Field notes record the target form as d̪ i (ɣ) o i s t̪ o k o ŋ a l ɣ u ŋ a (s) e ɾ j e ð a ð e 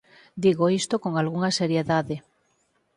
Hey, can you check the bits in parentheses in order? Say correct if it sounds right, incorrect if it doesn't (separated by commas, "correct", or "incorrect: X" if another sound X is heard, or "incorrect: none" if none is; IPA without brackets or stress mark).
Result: correct, correct